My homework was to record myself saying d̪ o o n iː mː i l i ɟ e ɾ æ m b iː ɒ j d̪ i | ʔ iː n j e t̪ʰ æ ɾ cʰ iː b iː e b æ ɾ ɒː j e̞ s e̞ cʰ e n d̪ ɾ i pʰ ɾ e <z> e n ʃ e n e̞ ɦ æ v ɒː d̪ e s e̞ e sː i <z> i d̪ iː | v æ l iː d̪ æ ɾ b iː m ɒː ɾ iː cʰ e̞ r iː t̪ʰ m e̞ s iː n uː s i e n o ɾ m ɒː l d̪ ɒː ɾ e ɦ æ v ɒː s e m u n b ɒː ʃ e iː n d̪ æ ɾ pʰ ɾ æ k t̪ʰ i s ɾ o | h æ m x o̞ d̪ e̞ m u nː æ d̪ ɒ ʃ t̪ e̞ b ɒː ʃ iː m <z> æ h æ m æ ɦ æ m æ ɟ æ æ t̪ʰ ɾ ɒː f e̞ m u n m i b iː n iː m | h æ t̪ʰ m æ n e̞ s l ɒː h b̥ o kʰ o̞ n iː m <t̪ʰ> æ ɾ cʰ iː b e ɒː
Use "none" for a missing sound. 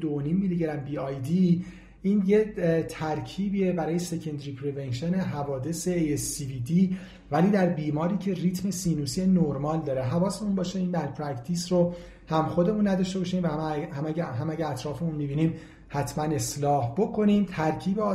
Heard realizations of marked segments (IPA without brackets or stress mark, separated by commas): v, v, v, t̪ʰ